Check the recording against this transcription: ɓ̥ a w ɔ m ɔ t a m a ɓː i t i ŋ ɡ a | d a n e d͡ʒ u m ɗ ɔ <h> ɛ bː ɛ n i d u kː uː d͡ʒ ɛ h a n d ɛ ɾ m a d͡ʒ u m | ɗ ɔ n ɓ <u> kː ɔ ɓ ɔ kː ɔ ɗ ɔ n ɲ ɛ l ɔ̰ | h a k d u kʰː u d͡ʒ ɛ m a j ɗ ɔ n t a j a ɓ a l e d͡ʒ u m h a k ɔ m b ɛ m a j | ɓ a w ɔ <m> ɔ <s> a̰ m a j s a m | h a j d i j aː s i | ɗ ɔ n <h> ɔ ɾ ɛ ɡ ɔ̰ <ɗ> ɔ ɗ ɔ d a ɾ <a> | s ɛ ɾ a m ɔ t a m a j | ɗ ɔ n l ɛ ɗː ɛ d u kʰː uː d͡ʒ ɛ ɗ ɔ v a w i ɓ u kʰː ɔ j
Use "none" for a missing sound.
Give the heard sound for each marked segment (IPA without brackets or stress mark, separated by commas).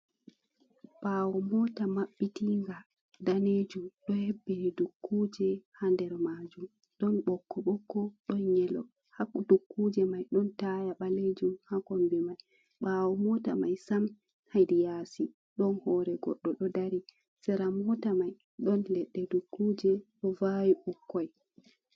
h, ɔ, m, t, h, ɗː, i